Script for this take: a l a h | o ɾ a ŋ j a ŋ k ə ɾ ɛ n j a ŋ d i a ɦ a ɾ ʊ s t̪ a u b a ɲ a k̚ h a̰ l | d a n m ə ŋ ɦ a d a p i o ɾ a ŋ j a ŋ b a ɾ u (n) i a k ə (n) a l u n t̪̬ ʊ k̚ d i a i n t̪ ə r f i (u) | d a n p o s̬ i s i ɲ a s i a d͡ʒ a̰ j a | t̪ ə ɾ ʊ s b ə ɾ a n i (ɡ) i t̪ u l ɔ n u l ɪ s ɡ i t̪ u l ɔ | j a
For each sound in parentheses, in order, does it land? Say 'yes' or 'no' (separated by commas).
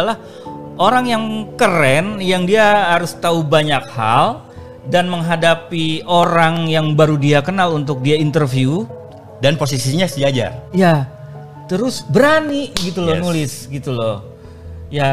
no, yes, yes, yes